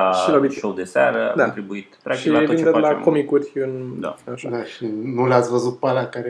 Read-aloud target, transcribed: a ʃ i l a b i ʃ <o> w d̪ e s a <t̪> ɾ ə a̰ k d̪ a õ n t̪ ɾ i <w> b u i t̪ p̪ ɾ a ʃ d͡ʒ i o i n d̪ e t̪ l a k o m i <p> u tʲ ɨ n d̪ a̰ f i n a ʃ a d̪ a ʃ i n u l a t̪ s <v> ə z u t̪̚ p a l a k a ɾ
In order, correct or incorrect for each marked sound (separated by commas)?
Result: correct, incorrect, incorrect, incorrect, correct